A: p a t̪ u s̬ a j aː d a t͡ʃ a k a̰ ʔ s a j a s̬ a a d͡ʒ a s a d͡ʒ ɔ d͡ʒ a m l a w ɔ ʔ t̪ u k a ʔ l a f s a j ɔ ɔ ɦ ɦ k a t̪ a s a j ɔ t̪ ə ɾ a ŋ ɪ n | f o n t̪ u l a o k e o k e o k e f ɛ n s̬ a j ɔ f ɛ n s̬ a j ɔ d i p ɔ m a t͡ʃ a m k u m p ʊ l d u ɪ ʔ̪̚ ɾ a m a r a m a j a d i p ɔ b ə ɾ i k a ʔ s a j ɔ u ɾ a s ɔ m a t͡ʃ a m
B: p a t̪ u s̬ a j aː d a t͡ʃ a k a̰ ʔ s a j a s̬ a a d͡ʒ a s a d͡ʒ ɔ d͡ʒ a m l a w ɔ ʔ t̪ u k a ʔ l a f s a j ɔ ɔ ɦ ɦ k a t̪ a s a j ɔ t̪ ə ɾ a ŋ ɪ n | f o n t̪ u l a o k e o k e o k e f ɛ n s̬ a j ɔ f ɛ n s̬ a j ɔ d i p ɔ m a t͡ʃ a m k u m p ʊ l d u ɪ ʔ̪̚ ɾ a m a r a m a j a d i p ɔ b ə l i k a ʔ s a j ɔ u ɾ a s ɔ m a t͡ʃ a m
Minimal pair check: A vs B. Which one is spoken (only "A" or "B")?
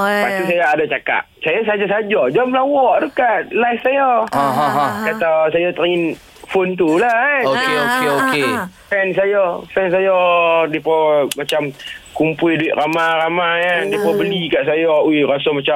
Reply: B